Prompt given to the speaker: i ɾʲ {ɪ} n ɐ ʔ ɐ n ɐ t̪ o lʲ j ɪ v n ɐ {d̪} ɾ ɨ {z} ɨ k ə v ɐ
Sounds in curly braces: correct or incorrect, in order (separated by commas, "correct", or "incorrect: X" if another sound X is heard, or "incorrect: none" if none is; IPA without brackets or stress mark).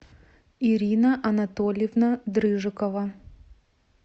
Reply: incorrect: i, correct, incorrect: ʐ